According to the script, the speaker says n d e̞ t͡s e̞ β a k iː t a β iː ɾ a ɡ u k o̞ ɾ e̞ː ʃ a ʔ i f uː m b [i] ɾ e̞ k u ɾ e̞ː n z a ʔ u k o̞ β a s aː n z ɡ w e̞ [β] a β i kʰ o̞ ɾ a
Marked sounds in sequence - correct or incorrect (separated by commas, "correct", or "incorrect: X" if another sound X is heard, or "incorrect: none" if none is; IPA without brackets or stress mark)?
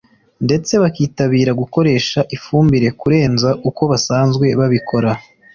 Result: correct, correct